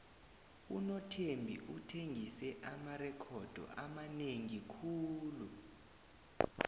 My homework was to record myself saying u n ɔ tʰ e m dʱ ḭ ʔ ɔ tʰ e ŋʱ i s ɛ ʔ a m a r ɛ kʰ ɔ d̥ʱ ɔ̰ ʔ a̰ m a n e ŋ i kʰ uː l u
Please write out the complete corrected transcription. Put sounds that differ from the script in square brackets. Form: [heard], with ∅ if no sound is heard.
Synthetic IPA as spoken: u n ɔ tʰ e m [bʱ] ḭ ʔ [u] tʰ e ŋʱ i s ɛ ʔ a m a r ɛ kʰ ɔ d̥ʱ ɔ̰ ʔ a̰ m a n e ŋ i kʰ uː l u